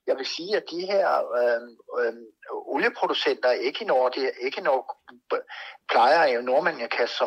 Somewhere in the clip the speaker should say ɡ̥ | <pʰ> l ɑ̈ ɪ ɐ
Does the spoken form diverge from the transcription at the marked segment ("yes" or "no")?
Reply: no